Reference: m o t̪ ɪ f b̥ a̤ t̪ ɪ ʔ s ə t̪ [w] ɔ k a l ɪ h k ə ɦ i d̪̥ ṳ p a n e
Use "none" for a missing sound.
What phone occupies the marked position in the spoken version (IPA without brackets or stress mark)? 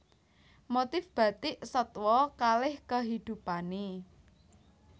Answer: w